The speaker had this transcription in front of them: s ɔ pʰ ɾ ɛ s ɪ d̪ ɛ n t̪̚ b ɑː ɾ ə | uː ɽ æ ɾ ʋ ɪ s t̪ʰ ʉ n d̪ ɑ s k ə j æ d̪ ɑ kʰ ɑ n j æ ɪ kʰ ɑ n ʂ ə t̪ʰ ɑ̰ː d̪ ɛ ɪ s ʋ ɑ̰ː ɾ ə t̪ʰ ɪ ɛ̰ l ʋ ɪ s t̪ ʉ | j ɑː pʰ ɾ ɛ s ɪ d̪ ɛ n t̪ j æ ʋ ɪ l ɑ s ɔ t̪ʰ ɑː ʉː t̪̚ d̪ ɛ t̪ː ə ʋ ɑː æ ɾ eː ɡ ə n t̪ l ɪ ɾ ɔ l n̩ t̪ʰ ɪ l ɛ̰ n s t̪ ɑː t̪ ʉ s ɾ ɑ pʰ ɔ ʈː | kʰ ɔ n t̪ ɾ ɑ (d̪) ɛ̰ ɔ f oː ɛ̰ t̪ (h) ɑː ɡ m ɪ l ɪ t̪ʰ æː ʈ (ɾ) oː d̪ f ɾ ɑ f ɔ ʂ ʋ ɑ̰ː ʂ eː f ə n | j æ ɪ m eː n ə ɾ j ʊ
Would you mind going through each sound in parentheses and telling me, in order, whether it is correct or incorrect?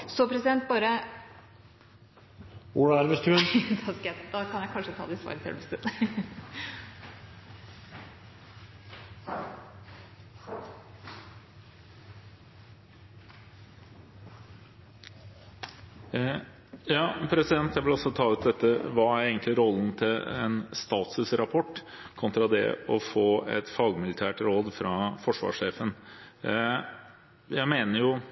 correct, incorrect: f, correct

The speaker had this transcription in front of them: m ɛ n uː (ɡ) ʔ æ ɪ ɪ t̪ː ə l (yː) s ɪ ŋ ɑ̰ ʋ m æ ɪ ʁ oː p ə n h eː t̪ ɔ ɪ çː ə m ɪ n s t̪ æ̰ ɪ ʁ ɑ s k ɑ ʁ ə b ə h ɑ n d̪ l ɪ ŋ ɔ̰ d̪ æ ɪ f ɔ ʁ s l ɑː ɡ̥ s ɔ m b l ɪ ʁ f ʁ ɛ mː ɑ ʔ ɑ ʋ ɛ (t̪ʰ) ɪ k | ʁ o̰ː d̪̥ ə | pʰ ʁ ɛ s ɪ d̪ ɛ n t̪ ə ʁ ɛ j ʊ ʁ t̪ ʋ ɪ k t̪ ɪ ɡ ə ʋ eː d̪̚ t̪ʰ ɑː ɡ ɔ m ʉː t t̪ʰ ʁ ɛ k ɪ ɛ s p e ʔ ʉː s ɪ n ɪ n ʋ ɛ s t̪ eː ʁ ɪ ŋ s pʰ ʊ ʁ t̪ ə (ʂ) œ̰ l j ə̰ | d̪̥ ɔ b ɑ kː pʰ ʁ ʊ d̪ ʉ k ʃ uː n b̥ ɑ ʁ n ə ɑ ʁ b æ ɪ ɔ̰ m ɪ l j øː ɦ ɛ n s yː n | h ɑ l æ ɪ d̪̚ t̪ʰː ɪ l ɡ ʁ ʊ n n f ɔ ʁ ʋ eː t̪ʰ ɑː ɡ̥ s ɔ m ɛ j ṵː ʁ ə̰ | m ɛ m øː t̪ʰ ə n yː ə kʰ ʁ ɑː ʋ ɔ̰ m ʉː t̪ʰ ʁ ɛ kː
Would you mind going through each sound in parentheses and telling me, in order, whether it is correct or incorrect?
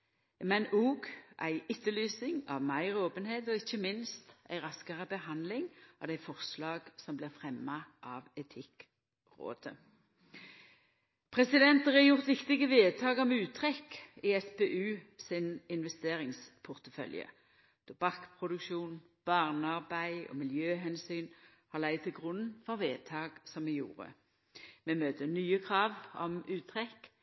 correct, correct, correct, incorrect: f

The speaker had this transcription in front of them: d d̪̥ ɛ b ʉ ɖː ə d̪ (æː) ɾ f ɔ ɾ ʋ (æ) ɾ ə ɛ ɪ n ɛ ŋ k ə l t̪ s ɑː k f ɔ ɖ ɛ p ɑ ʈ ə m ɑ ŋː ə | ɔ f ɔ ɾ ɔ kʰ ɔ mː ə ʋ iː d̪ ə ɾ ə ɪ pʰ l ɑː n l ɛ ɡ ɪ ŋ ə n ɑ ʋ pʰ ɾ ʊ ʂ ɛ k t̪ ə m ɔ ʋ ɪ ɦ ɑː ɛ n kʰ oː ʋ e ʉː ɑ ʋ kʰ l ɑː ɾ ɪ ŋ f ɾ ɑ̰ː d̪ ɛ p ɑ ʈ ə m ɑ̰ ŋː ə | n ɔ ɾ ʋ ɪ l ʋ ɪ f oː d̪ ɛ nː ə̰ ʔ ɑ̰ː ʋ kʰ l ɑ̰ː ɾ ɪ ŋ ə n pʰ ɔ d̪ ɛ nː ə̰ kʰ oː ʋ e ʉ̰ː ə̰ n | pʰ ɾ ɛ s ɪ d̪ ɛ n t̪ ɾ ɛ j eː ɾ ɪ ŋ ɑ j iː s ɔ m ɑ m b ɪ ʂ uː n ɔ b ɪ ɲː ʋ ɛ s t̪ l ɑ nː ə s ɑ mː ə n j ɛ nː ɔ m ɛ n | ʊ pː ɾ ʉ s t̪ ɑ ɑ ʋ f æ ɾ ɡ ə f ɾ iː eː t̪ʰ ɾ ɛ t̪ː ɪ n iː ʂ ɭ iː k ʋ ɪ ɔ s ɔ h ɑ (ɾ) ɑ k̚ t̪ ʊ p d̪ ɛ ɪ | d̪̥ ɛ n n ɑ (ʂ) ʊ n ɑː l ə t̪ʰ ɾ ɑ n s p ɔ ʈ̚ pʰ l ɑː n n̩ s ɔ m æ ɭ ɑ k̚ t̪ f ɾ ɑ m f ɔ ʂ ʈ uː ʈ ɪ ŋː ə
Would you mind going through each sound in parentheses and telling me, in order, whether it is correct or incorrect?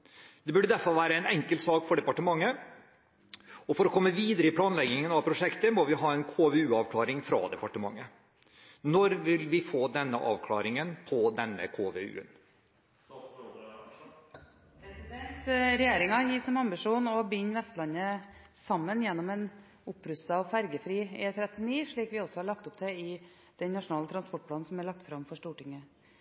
incorrect: æ, incorrect: æː, incorrect: ɭ, correct

